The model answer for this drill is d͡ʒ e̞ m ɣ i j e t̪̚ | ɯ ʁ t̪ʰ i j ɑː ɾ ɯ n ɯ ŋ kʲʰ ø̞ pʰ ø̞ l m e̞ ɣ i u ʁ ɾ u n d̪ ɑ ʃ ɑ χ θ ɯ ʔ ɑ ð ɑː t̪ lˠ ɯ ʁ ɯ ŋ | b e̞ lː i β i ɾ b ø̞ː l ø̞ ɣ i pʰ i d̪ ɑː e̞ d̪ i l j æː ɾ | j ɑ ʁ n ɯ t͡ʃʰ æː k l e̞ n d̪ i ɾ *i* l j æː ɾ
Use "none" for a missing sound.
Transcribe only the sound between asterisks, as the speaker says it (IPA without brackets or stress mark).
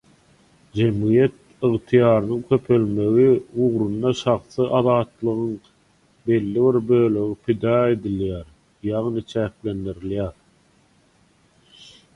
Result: i